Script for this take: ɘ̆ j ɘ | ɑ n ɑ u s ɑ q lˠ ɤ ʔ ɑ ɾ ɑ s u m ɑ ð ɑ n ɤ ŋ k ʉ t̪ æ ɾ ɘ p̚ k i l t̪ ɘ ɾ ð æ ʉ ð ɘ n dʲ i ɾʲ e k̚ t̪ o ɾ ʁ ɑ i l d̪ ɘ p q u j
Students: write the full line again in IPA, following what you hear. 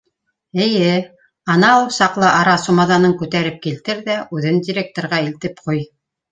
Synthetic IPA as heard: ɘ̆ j ɘ | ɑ n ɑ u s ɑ q lˠ ɤ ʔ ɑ ɾ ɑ s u m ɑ ð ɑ n ɤ ŋ k ʉ t̪ æ ɾ ɘ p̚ k i l t̪ ɘ ɾ ð æ ʉ ð ɘ n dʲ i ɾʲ e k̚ t̪ o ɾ ʁ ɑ i l t̪ ɘ p q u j